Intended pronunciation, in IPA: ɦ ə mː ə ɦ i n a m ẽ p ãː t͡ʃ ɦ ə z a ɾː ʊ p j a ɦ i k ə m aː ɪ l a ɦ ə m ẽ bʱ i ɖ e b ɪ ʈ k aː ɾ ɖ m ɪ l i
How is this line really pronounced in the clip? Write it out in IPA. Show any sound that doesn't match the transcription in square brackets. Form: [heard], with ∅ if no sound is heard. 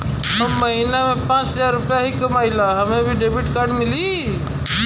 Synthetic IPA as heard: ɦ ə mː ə ɦ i n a m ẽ p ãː t͡ʃ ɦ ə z a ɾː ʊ p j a ɦ i k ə m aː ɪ l a ɦ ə m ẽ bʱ i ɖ e b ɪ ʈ k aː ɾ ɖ m ɪ l i